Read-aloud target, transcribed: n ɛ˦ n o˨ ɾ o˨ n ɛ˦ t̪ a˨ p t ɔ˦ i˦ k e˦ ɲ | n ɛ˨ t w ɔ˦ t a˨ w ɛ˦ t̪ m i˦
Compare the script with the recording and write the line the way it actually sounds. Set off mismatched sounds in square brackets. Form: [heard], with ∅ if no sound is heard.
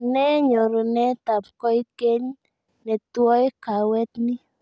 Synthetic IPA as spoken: n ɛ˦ [ɲ] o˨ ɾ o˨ n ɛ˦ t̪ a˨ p [k] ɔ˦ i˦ k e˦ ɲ | n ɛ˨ t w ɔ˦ [k] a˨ w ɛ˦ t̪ [n] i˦

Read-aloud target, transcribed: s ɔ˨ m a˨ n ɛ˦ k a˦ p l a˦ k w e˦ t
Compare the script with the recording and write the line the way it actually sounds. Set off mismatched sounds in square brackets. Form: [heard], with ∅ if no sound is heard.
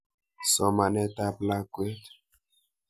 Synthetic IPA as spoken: s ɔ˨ m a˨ n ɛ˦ [t] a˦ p l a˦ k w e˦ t

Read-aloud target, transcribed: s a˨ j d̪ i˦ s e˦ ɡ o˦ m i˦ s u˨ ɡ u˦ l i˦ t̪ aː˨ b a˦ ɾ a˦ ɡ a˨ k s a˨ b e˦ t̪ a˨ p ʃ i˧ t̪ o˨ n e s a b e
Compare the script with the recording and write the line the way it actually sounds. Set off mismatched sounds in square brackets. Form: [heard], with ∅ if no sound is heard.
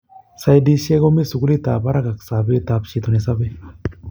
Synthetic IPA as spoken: s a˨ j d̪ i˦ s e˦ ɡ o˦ m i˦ s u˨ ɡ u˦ l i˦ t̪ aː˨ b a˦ ɾ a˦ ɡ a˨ k s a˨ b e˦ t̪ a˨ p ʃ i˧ t̪ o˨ n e s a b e

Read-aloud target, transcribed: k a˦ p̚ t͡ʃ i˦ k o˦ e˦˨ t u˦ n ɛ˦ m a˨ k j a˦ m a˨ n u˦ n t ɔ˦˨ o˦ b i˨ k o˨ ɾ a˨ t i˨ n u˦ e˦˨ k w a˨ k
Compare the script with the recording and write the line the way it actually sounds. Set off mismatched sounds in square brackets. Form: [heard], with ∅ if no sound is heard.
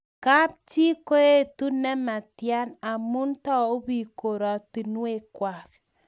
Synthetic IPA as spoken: k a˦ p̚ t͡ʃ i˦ k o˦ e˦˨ t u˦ n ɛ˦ m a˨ [t] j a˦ [n] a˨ [m] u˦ n t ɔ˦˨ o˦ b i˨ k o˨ ɾ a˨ t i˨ n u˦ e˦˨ k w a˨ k

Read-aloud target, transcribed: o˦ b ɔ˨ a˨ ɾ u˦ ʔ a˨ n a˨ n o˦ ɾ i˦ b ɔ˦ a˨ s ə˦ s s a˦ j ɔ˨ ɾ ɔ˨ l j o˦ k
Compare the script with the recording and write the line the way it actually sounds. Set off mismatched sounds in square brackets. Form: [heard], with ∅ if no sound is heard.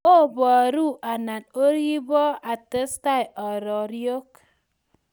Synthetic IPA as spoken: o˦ b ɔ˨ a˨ ɾ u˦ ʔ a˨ n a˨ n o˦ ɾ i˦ b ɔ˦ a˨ [t] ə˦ s [t] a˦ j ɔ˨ ɾ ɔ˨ [ɾ] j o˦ k

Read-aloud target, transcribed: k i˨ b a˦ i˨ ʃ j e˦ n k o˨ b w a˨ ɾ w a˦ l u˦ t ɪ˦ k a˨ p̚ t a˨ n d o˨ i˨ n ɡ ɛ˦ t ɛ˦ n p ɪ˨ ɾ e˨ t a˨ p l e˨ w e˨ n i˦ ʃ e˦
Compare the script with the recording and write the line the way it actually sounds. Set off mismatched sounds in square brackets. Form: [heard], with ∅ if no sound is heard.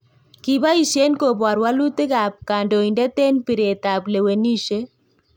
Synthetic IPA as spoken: k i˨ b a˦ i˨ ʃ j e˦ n k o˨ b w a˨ ɾ w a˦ l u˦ t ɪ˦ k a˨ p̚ [k] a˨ n d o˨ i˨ n [d] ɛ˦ t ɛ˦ n p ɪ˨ ɾ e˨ t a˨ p l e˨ w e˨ n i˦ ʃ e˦

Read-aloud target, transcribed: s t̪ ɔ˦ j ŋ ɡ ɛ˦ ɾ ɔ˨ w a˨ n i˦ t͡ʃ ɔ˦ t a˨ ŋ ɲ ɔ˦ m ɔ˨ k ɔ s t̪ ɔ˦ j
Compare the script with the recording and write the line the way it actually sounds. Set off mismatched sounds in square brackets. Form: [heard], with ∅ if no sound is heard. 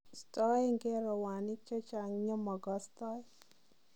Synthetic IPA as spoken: s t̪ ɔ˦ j ŋ ɡ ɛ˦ ɾ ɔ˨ w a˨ n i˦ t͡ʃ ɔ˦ [t͡ʃ] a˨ ŋ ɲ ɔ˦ m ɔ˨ [ɡ] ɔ s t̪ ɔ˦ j

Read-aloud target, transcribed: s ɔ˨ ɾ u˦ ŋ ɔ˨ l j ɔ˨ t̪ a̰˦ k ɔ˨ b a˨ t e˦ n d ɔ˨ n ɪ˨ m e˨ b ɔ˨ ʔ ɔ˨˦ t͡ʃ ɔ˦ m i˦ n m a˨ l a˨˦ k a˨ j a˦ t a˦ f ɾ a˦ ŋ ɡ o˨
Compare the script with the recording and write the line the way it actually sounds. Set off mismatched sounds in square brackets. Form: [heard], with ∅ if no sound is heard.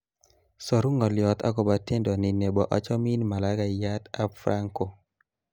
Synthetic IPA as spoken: s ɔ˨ ɾ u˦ ŋ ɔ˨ l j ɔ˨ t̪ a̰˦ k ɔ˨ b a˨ t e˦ n d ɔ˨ n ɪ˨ [n] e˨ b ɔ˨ ʔ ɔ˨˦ t͡ʃ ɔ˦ m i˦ n m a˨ l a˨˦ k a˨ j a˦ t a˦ f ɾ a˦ ŋ [k] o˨

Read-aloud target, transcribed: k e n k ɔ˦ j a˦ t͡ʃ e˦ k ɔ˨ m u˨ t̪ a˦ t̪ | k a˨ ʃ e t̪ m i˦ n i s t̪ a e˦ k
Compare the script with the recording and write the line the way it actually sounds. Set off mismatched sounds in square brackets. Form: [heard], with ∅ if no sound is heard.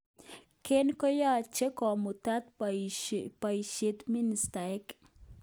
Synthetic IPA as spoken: k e n k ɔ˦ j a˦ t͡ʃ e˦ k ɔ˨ m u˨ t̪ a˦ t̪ | [p] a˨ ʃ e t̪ m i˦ n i s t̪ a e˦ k

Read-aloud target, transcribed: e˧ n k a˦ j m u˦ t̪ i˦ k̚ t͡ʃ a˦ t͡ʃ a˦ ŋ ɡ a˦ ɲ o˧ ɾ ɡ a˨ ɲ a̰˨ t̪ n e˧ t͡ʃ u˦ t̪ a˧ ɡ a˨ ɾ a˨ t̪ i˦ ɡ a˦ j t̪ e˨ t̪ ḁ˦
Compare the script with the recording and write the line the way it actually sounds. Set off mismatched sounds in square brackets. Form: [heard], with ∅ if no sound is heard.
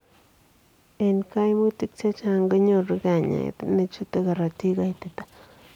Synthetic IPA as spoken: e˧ n k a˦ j m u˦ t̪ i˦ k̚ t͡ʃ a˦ t͡ʃ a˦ ŋ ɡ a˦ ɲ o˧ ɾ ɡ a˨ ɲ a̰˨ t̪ n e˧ t͡ʃ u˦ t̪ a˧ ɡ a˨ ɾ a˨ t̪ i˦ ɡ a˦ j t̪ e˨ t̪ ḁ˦

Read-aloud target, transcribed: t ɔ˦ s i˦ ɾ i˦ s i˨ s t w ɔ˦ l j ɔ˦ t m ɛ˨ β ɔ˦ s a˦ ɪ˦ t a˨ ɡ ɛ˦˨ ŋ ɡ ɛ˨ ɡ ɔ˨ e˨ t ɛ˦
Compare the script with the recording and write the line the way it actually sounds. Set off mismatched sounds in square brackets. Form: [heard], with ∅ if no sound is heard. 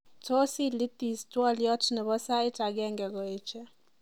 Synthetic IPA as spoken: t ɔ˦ s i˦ [l] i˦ [t] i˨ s t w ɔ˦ l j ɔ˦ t [n] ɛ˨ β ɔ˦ s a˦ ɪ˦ t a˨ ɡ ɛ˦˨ ŋ ɡ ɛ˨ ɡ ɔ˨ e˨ [t͡ʃ] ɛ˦

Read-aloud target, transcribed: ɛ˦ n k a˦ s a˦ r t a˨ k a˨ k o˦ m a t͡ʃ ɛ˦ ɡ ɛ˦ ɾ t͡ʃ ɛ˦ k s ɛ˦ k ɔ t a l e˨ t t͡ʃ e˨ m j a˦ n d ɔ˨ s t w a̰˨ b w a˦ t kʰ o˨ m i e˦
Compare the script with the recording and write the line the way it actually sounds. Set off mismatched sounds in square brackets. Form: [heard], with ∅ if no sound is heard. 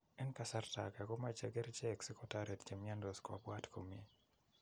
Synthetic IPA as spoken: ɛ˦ n k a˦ s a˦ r t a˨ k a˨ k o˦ m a t͡ʃ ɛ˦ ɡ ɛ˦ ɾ t͡ʃ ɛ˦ k s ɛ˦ k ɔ t a [ɾ] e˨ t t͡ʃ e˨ m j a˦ n d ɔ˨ s [k] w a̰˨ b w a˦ t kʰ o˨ m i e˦

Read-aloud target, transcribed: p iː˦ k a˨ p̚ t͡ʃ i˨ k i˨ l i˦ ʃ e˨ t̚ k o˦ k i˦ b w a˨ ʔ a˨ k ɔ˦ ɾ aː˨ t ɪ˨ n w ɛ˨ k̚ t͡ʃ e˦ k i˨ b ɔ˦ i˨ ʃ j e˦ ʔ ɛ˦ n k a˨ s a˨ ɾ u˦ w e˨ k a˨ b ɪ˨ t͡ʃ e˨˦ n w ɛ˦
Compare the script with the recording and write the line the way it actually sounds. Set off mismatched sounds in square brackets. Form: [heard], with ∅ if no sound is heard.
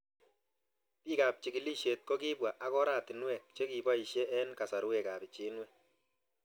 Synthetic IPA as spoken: p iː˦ k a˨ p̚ t͡ʃ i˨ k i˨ l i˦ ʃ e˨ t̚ k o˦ k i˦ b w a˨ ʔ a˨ k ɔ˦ ɾ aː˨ t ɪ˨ n w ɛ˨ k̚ t͡ʃ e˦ k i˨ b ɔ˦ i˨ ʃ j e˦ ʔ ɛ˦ n k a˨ s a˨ ɾ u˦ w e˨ k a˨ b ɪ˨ t͡ʃ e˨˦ n w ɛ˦

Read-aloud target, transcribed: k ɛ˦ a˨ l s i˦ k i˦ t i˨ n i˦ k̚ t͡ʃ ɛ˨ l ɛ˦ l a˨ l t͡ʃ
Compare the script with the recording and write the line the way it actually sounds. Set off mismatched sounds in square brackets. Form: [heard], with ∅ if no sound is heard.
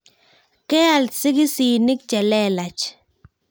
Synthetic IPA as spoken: k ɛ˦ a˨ l s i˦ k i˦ [s] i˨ n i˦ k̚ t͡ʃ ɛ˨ l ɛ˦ l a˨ [∅] t͡ʃ

